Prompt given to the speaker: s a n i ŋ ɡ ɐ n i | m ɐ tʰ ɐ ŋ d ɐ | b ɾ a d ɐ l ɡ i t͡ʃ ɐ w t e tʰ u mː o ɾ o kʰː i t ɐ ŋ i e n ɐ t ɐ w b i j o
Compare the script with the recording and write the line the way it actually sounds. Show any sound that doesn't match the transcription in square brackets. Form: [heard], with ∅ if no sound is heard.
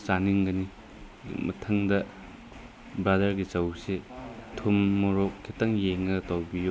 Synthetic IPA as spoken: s a n i ŋ ɡ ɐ n i | m ɐ tʰ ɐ ŋ d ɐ | b ɾ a d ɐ [ɾ] ɡ i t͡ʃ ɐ w [s] e tʰ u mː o ɾ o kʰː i t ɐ ŋ [j] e [ŋ] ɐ t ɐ w b i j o